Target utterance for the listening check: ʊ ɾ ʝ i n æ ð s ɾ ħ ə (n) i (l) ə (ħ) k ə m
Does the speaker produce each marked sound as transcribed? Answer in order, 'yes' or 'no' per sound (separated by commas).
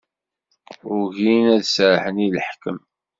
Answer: yes, yes, yes